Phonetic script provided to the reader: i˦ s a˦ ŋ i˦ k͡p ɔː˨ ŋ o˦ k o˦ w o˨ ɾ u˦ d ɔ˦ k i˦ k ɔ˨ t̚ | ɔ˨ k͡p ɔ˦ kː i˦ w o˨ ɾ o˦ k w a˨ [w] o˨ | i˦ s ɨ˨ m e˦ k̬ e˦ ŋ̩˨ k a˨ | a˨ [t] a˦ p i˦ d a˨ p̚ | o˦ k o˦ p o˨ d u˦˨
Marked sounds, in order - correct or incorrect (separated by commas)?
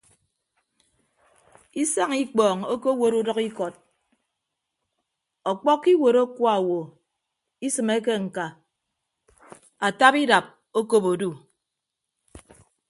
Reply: correct, correct